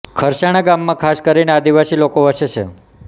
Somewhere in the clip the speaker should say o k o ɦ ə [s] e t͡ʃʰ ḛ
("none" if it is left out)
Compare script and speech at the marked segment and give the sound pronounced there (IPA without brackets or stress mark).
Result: ʃ